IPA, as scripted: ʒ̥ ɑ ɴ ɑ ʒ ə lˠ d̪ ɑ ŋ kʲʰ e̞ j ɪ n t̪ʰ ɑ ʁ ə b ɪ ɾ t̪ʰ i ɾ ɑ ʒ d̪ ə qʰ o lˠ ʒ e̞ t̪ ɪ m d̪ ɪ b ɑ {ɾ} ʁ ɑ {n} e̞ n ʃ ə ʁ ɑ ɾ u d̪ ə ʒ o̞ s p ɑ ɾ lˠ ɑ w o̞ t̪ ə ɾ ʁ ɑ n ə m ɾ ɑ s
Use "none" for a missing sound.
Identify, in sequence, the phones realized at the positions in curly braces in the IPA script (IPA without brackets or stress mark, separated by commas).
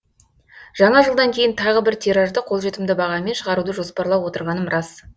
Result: none, m